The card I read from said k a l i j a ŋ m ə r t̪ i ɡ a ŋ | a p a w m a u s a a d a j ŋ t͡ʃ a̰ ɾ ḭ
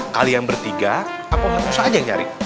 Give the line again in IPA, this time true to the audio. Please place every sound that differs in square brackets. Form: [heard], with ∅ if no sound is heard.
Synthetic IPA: k a l i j a ŋ [b] ə r t̪ i ɡ a [∅] | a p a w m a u s a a [d͡ʒ] a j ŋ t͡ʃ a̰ ɾ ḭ